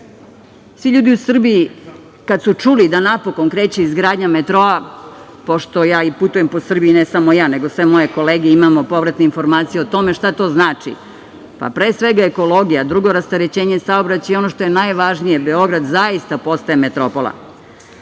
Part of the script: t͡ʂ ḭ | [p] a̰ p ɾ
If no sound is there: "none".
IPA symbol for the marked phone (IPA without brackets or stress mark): p